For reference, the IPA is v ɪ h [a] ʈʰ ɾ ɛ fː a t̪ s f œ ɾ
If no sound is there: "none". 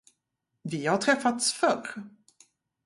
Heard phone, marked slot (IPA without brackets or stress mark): a